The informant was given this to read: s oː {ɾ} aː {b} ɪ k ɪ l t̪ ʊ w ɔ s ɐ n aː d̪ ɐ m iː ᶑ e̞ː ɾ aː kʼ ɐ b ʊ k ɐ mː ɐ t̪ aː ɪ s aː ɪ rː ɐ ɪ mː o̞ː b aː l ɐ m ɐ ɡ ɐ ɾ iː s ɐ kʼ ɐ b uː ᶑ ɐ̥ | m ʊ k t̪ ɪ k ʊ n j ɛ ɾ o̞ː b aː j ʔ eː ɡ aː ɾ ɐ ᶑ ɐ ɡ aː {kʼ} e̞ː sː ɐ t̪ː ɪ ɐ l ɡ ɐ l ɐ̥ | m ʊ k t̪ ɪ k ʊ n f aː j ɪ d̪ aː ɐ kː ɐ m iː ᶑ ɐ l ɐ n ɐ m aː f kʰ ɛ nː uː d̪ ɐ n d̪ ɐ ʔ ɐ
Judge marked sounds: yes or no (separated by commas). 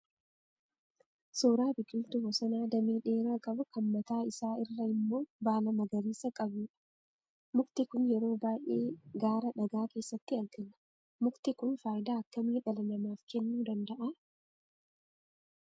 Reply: yes, yes, no